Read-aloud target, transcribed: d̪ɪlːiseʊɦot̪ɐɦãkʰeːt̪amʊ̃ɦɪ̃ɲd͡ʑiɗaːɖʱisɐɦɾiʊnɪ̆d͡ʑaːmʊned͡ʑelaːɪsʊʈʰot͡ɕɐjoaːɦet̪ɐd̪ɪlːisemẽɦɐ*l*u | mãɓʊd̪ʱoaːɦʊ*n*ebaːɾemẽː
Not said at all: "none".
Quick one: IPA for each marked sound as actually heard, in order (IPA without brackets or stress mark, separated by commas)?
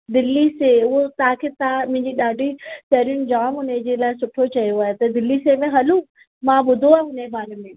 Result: l, n